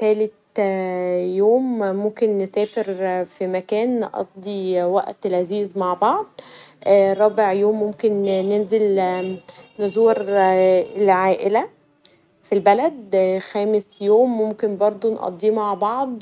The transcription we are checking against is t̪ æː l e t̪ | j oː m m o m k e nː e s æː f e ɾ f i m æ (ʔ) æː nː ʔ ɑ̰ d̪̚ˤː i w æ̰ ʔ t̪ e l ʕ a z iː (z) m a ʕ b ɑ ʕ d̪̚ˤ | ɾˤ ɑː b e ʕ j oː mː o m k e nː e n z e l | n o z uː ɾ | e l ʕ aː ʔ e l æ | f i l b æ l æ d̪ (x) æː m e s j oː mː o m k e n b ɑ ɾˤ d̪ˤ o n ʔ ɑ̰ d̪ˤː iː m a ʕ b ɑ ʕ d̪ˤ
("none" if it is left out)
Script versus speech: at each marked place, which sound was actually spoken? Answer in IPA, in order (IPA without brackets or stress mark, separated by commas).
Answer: k, z, x